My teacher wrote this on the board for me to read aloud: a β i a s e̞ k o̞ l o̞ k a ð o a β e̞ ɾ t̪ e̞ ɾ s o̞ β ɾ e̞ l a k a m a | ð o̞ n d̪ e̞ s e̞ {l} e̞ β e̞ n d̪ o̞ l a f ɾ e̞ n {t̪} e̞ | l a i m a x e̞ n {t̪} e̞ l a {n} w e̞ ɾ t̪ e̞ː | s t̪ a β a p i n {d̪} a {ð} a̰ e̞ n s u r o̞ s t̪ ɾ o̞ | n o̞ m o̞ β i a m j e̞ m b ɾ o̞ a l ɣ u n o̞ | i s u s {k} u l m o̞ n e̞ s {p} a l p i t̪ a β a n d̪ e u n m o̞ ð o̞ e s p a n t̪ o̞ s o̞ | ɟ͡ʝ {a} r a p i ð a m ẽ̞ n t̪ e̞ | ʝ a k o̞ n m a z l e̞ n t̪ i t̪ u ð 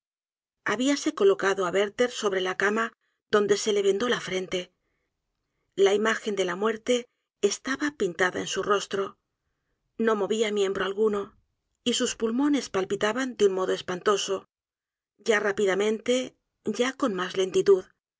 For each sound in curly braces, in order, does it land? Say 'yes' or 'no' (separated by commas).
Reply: yes, yes, no, no, no, yes, no, yes, yes